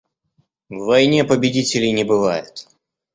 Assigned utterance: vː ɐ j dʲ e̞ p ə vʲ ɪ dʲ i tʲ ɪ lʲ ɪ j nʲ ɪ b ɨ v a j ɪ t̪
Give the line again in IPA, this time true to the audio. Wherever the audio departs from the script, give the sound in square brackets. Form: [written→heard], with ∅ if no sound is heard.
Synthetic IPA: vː ɐ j [dʲ→nʲ] e̞ p ə [vʲ→bʲ] ɪ dʲ i tʲ ɪ lʲ ɪ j nʲ ɪ b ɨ v a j ɪ t̪